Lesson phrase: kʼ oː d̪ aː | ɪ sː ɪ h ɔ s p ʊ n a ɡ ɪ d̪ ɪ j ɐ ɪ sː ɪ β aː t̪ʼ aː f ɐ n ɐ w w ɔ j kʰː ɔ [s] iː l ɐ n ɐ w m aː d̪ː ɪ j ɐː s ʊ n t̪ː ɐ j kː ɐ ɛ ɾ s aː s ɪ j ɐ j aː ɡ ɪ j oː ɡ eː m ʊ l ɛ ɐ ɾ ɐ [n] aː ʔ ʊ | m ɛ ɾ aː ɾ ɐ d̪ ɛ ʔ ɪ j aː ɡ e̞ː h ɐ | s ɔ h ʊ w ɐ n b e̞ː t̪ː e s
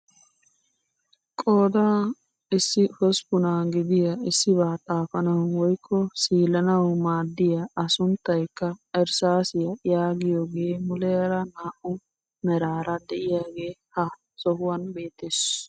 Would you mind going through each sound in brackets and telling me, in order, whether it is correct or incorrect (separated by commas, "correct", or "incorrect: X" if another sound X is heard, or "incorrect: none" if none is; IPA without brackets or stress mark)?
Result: correct, correct